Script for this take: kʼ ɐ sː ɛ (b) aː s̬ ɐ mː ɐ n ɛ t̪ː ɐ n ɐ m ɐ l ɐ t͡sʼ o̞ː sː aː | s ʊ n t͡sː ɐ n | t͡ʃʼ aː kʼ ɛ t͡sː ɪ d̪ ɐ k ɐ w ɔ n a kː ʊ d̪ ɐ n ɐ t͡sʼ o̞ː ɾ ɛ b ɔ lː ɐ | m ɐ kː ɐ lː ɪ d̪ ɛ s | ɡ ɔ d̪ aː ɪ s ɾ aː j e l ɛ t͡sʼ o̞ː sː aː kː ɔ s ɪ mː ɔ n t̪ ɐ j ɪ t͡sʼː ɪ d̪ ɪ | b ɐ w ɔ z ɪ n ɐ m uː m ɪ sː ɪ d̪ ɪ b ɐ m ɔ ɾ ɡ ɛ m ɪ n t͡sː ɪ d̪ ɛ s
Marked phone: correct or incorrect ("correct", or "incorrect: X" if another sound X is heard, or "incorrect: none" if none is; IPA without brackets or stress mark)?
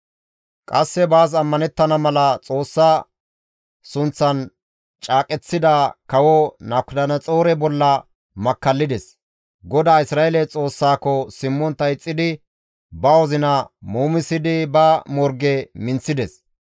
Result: correct